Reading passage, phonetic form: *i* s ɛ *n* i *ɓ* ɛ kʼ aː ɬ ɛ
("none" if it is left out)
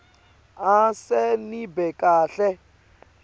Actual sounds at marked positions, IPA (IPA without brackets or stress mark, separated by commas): a, n, b